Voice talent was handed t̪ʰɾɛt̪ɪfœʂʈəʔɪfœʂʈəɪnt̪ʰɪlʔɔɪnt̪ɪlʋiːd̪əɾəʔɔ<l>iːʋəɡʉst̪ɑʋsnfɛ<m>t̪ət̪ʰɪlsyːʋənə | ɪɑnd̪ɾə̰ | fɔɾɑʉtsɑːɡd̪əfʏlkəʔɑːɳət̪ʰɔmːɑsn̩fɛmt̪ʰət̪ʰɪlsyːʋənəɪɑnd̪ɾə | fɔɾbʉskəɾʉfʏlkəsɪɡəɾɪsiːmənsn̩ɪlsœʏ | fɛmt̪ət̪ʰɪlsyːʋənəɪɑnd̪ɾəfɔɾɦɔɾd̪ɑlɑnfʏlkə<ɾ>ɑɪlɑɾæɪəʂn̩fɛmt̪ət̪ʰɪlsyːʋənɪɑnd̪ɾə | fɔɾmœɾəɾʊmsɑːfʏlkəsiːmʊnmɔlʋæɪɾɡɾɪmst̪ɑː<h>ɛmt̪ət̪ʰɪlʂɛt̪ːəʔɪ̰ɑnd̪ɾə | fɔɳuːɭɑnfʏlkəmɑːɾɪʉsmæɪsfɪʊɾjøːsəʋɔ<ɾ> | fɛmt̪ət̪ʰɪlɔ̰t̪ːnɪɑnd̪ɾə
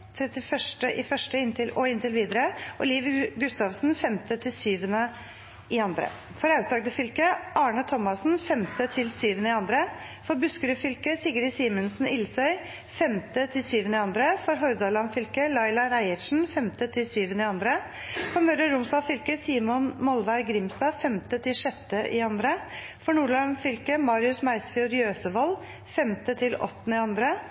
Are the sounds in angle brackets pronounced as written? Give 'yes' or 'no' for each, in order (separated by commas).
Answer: yes, yes, no, no, no